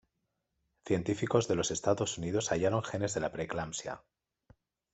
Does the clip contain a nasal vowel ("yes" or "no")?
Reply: no